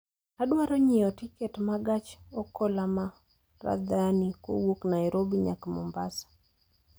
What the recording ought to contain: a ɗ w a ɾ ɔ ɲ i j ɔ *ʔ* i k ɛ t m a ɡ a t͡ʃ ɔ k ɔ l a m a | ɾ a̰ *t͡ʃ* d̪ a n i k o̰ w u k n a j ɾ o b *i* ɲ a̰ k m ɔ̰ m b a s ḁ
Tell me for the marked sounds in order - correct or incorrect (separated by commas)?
incorrect, incorrect, correct